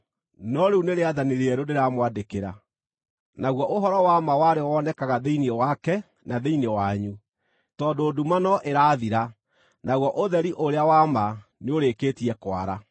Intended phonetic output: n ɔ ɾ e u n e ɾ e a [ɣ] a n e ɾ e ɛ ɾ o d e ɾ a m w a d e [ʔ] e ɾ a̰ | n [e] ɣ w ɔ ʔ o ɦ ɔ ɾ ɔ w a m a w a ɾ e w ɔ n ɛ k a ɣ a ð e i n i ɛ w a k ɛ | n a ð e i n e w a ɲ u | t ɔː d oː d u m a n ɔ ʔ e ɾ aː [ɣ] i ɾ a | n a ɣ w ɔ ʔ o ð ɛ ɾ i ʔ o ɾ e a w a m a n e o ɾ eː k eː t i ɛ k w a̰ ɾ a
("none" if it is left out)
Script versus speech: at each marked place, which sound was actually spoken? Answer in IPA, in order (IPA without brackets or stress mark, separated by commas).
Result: ð, k, a, ð